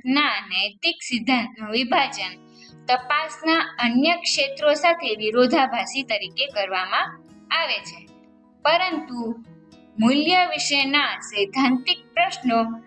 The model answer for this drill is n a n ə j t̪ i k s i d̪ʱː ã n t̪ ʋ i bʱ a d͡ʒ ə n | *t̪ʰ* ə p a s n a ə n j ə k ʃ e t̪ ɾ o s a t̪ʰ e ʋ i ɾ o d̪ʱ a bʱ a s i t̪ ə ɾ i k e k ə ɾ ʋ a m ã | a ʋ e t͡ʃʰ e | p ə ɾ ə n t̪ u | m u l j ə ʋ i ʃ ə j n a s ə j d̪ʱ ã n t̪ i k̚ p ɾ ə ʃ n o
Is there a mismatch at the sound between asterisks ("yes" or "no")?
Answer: yes